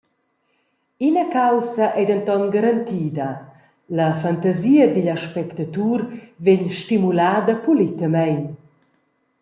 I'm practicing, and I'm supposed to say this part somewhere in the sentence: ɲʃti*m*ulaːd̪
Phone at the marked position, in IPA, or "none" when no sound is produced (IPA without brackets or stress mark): m